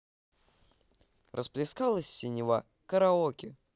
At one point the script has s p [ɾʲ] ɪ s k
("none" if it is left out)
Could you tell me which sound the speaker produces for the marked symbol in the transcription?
lʲ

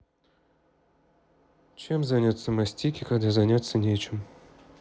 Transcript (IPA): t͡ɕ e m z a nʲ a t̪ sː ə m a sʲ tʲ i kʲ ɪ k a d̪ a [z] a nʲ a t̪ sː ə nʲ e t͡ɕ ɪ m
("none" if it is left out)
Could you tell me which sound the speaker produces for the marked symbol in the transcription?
z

